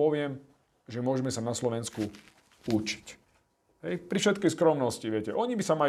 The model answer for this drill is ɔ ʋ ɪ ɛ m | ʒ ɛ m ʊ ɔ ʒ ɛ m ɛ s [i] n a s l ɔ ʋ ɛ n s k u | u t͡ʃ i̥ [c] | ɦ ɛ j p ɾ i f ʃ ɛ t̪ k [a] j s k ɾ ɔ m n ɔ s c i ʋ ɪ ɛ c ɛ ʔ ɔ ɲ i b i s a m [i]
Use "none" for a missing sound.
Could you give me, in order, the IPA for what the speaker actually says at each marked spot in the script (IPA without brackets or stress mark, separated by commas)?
a, c, ɛ, a